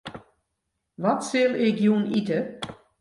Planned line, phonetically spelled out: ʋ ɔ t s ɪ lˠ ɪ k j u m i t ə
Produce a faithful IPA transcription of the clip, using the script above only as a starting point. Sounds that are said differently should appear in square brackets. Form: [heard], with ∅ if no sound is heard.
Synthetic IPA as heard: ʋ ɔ t s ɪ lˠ ɪ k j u [n] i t ə

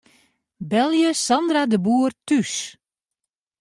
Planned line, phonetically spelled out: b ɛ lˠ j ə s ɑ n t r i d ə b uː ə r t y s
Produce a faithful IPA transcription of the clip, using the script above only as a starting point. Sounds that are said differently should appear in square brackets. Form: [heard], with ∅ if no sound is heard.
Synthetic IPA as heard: b ɛ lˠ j ə s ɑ n [d] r [a] d ə b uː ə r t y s

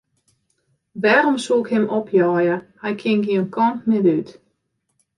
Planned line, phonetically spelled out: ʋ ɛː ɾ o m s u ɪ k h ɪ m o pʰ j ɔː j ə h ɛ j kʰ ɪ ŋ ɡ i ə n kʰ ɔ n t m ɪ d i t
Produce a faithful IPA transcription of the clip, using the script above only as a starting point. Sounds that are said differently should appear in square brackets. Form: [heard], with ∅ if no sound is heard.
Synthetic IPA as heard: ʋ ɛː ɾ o m s u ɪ k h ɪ m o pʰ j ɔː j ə h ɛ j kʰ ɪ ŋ ɡ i ə n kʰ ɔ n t m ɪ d [y] t

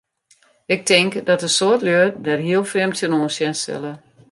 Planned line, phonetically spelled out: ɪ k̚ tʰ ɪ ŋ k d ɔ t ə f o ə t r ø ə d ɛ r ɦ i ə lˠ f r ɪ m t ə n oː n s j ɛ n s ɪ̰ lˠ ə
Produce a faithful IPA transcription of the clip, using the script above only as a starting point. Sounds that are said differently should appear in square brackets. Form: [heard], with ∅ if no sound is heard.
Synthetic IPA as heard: ɪ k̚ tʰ ɪ ŋ k d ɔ t ə [s] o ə t [l] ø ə d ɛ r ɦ i ə lˠ f r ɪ m t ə n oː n s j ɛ n s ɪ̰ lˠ ə

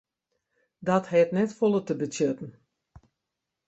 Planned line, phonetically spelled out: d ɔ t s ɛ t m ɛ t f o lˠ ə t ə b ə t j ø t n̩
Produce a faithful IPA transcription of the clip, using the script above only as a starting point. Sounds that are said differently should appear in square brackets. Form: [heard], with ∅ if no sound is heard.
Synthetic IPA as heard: d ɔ t [h] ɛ t [n] ɛ t f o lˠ ə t ə b ə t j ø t n̩

